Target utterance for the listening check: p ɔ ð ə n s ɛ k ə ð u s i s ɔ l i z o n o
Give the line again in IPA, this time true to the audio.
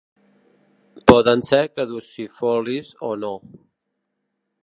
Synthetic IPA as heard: p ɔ ð ə n s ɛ k ə ð u s i f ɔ l i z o n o